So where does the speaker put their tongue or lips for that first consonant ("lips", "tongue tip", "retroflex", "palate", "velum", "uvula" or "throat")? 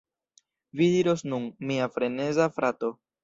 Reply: lips